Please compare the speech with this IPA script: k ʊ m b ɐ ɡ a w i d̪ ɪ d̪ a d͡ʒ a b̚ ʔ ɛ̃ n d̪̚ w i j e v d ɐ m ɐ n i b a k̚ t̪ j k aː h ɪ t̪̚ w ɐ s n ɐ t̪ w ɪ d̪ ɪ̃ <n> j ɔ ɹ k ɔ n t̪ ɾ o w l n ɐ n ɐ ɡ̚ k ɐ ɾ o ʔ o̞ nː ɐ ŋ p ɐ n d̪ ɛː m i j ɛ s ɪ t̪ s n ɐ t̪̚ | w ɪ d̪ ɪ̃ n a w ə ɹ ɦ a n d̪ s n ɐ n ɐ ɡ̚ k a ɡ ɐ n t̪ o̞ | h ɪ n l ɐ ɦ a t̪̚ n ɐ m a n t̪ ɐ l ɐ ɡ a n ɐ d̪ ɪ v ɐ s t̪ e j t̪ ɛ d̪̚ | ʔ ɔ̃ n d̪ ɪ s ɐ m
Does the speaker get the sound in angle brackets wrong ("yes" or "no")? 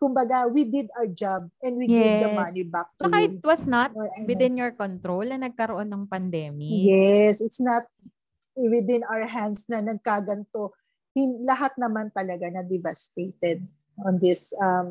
no